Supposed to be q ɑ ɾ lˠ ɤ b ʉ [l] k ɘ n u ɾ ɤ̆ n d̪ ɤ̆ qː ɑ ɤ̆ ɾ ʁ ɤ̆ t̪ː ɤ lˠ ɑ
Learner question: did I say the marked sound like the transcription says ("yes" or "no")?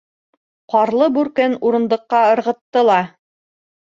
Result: no